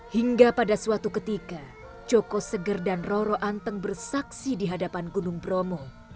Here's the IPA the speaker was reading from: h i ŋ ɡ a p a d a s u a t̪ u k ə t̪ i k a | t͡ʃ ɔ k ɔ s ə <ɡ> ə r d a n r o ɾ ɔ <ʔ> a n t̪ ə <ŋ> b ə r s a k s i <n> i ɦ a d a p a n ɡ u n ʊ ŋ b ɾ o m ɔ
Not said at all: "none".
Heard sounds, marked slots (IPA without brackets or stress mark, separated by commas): ɡ, ʔ, ŋ, d